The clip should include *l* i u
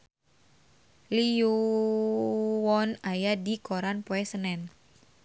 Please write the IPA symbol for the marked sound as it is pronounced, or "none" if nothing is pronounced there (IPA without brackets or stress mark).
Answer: l